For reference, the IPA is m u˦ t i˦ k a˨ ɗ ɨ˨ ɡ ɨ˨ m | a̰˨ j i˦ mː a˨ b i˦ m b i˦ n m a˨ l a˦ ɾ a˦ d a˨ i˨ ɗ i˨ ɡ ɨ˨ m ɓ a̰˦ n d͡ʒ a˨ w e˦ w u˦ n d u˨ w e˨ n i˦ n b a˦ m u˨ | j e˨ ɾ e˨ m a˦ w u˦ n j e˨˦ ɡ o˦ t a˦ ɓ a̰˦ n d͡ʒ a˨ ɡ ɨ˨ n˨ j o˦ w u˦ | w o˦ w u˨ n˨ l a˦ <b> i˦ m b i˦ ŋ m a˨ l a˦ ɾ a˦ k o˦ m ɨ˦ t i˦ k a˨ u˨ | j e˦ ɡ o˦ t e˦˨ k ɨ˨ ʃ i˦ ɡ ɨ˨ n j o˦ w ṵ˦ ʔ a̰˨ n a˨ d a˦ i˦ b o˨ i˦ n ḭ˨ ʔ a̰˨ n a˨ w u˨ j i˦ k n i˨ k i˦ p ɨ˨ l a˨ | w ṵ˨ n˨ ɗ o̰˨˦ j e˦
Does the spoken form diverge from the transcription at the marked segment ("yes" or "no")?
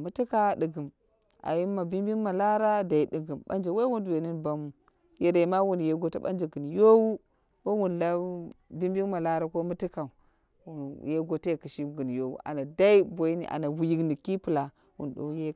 no